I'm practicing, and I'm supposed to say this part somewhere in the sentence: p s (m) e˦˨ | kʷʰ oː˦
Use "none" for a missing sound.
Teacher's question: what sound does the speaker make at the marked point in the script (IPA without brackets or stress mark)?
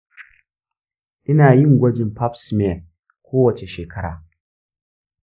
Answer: m